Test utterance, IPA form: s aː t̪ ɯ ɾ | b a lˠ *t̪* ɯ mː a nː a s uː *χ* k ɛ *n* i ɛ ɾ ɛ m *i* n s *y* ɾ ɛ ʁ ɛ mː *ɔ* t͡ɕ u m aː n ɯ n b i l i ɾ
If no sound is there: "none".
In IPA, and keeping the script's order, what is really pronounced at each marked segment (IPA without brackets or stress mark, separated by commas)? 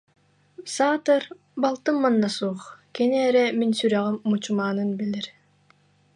t̪, χ, n, i, y, u